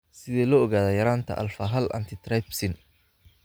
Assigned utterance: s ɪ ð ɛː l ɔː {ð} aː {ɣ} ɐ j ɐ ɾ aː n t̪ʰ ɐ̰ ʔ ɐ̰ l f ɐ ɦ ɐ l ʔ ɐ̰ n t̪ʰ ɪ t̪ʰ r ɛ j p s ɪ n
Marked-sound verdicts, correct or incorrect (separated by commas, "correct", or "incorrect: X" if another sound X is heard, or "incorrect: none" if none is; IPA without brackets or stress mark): incorrect: ɣ, incorrect: ð